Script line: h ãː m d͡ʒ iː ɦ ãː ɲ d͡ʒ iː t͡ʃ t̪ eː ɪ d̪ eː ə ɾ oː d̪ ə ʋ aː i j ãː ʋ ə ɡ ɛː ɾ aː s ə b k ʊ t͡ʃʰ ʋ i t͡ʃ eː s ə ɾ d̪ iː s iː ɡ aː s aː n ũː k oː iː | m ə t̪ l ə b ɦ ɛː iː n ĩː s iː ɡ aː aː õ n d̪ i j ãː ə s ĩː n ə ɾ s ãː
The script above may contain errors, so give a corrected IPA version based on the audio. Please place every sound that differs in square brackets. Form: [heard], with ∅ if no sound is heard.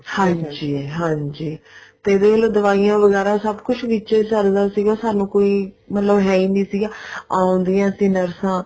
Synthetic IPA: h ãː [ɲ] d͡ʒ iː ɦ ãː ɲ d͡ʒ iː [∅] t̪ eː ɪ d̪ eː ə [l] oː d̪ ə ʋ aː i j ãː ʋ ə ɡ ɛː ɾ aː s ə b k ʊ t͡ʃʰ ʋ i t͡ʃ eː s ə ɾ d̪ [aː] s iː ɡ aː s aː n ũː k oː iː | m ə t̪ l ə b ɦ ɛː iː n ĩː s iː ɡ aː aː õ n d̪ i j ãː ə s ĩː n ə ɾ s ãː